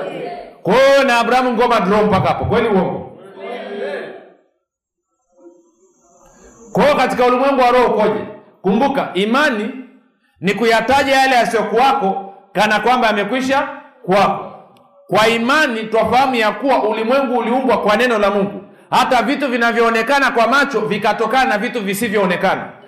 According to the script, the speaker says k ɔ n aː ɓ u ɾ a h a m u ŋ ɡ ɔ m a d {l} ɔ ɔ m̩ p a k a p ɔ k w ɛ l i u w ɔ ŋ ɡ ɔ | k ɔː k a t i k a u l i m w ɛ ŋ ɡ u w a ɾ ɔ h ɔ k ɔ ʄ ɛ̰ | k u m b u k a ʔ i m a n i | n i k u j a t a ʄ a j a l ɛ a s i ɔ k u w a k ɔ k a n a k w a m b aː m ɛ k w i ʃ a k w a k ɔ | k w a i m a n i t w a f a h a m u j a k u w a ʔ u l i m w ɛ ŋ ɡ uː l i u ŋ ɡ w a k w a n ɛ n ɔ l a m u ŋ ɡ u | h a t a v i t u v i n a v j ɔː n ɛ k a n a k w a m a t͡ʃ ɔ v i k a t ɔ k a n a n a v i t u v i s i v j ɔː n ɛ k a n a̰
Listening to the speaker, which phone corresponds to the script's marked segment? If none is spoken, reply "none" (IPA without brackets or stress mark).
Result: ɾ